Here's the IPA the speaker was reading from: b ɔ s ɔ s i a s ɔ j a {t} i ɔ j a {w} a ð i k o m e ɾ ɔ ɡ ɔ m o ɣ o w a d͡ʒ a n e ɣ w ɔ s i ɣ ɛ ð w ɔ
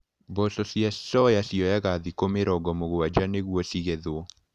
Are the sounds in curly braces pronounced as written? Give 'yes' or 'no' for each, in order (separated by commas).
no, no